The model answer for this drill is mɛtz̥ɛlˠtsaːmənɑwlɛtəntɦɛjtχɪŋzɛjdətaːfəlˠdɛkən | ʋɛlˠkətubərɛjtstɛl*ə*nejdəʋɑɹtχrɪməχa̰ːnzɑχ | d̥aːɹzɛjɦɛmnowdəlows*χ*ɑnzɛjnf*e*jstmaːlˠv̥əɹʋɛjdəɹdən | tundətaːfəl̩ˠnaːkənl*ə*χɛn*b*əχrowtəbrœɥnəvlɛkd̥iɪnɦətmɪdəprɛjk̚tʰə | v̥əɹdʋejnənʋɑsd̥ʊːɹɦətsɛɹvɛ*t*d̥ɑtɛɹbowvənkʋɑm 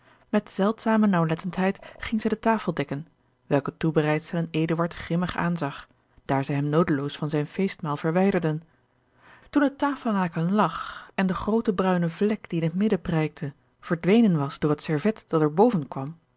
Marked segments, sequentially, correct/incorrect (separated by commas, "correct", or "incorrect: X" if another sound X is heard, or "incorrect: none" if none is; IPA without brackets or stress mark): correct, incorrect: f, correct, incorrect: ɑ, incorrect: d, correct